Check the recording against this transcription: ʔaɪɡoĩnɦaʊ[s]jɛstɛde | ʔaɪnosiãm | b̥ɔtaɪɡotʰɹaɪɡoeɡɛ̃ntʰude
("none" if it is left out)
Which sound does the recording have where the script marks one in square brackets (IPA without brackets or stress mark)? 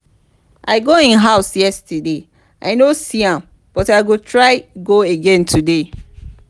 s